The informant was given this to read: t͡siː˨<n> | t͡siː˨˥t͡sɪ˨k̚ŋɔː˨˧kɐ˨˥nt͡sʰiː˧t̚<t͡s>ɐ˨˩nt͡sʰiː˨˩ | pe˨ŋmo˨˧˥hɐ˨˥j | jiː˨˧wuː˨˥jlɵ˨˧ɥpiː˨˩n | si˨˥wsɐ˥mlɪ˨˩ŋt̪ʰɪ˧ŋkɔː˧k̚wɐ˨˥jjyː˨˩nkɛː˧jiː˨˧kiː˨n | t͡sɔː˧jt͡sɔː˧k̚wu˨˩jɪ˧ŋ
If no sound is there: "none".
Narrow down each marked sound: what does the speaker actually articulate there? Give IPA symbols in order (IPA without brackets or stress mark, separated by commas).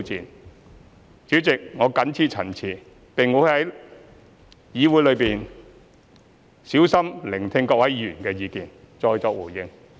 n, t͡sʰ